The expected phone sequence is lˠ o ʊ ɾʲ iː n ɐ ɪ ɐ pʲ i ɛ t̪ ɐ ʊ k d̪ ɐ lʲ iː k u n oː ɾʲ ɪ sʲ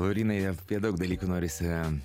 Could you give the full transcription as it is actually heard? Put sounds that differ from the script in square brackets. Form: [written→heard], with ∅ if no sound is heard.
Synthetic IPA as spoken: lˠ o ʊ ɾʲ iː n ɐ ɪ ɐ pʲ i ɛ [t̪→d̪] ɐ ʊ k d̪ ɐ lʲ iː k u n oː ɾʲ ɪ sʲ

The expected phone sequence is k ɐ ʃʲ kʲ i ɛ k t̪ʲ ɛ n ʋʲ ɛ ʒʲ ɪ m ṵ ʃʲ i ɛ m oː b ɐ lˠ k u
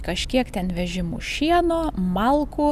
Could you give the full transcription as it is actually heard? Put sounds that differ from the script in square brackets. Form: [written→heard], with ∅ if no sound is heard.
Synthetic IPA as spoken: k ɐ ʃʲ kʲ i ɛ k t̪ʲ ɛ n ʋʲ ɛ ʒʲ ɪ m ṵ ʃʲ i ɛ [m→n] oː [b→m] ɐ lˠ k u

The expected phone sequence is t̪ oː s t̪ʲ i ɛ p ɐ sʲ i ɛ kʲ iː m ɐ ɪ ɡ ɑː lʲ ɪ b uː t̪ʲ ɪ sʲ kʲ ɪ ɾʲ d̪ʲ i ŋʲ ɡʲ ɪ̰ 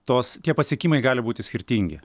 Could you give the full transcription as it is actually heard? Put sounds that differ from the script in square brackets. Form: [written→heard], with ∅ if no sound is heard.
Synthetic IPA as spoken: t̪ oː s t̪ʲ i ɛ p ɐ sʲ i ɛ kʲ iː m ɐ ɪ ɡ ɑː lʲ ɪ b uː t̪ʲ ɪ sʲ kʲ ɪ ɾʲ [d̪ʲ→t̪ʲ] i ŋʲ ɡʲ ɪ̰

